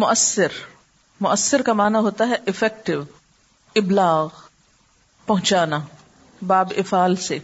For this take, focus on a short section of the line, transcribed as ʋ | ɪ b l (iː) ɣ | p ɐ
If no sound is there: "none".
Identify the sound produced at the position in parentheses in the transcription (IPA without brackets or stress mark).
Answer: aː